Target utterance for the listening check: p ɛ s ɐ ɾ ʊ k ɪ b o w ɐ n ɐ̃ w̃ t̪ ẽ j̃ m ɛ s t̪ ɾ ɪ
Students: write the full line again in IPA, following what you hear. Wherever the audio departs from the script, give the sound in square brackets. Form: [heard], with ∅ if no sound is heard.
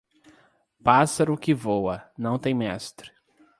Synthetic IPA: p [a] s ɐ ɾ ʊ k ɪ [v] o w ɐ n ɐ̃ w̃ t̪ ẽ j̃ m ɛ s t̪ ɾ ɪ